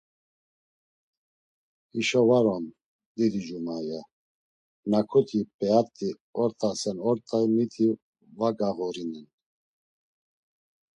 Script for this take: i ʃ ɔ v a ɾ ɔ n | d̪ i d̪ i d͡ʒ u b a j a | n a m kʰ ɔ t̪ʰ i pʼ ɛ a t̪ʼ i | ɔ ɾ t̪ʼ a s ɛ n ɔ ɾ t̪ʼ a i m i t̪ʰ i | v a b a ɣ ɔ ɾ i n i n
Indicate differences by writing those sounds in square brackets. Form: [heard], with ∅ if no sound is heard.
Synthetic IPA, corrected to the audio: i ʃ ɔ v a ɾ ɔ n | d̪ i d̪ i d͡ʒ u [m] a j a | n a [∅] kʰ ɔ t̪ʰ i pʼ ɛ a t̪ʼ i | ɔ ɾ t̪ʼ a s ɛ n ɔ ɾ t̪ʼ a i m i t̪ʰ i | v a [ɡ] a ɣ ɔ ɾ i n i n

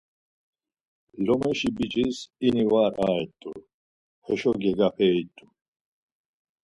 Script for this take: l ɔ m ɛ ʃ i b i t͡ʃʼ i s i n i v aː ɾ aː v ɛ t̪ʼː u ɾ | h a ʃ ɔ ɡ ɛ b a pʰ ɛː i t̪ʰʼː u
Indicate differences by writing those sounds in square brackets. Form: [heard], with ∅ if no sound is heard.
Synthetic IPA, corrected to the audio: l ɔ m ɛ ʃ i b i t͡ʃʼ i s i n i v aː ɾ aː [∅] ɛ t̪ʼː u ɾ | h [ɛ] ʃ ɔ ɡ ɛ [ɡ] a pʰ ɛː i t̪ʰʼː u

